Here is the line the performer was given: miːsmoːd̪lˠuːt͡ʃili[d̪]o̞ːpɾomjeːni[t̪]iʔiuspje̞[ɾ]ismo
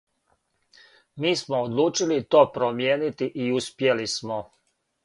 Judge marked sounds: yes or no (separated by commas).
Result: no, yes, no